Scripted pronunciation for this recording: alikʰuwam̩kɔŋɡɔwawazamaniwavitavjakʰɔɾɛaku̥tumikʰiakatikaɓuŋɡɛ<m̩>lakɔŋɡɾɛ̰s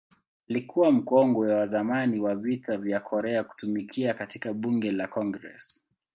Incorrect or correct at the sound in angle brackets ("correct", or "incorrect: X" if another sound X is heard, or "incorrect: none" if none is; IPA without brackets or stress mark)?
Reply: incorrect: none